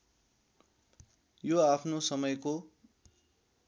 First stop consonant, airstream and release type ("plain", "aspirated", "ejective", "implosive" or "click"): aspirated